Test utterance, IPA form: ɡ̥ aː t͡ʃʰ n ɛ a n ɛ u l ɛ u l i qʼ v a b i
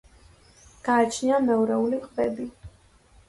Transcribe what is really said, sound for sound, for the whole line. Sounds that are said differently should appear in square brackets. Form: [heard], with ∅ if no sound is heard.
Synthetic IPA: ɡ̥ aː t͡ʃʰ n [i] a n ɛ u [ɾ] ɛ u l i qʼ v [ɛ] b i